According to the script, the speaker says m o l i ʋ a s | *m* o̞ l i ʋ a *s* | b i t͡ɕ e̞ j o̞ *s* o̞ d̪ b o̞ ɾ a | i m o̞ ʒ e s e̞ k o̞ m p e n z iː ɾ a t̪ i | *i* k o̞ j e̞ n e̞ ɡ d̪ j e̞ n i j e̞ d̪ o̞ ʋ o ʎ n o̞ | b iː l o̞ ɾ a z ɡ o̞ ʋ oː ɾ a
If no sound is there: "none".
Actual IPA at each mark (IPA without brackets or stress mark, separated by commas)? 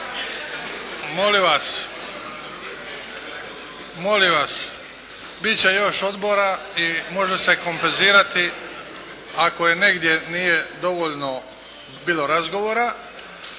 m, s, ʃ, a